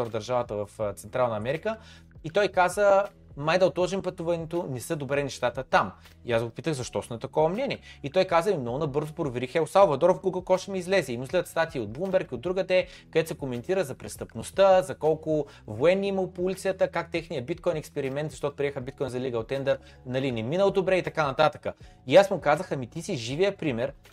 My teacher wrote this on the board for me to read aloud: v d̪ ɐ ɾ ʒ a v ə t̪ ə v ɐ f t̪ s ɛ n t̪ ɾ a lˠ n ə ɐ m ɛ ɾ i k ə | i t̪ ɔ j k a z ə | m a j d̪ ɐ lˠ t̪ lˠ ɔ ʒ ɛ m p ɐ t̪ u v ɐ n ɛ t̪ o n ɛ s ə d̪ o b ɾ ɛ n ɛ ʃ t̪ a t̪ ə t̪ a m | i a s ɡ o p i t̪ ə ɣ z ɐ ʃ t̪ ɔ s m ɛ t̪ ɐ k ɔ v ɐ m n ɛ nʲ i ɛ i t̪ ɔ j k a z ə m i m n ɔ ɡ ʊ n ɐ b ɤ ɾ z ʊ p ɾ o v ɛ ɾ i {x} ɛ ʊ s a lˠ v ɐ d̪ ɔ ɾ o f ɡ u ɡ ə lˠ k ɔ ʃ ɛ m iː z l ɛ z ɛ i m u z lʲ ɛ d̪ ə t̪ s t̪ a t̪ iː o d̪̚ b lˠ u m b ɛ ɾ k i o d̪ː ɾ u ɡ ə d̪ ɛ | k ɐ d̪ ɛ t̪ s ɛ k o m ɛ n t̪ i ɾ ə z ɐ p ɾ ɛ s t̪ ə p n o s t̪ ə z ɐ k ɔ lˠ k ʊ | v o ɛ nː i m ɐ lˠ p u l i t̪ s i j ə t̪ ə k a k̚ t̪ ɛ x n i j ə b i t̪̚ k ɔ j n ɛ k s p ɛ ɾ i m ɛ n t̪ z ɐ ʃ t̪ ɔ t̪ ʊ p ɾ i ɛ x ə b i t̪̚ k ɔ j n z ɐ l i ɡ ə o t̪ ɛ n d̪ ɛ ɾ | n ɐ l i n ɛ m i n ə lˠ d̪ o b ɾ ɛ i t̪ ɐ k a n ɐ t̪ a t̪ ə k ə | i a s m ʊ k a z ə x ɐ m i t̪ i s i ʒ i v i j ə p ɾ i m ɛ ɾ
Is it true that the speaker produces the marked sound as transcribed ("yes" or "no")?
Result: yes